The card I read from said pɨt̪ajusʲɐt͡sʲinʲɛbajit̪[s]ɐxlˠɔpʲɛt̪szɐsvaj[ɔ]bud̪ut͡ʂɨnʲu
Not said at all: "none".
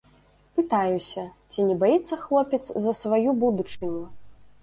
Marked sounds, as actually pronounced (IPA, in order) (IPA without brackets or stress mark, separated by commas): sː, u